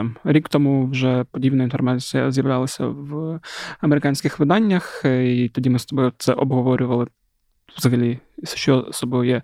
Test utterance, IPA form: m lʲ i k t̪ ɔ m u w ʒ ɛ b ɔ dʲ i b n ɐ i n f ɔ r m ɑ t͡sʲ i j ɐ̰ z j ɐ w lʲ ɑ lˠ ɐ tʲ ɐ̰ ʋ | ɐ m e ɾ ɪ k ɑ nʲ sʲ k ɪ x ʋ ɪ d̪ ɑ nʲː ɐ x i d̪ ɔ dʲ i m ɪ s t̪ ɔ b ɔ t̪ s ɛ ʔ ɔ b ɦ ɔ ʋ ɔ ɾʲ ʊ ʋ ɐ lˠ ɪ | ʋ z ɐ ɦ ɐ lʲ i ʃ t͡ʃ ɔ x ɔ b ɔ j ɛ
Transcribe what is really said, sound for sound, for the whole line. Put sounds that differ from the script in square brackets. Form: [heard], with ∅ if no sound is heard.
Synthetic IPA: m [ɾʲ] i k t̪ ɔ m u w ʒ ɛ [p] ɔ dʲ i b n ɐ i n f ɔ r m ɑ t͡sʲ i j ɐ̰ z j ɐ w lʲ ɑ lˠ ɐ [sʲ] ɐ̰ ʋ | ɐ m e ɾ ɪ k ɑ nʲ sʲ k ɪ x ʋ ɪ d̪ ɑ nʲː ɐ x i [t̪] ɔ dʲ i m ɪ s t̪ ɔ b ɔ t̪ s ɛ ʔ ɔ b ɦ ɔ ʋ ɔ ɾʲ ʊ ʋ ɐ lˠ ɪ | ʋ z ɐ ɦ ɐ lʲ i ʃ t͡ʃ ɔ [s] ɔ b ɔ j ɛ